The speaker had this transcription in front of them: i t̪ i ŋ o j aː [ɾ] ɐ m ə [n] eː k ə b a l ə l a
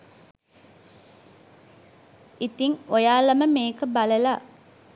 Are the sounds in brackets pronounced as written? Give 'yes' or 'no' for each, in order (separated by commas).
no, no